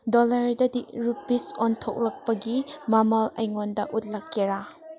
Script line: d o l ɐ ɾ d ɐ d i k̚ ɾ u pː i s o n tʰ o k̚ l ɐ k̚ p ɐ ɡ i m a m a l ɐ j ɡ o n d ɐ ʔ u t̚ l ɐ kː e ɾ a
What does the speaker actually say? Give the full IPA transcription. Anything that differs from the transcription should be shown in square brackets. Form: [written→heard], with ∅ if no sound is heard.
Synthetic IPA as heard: d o l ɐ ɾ d ɐ d i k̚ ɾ u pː i s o n tʰ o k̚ l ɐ k̚ p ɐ ɡ i m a m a l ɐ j [ɡ→ŋ] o n d ɐ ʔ u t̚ l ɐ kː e ɾ a